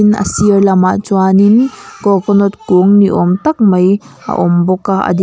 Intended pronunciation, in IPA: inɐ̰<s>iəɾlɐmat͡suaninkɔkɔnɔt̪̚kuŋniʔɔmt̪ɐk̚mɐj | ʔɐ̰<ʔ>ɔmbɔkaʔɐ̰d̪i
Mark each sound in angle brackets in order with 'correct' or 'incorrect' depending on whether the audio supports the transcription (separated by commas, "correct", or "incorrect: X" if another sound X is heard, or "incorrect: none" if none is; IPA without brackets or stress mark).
correct, correct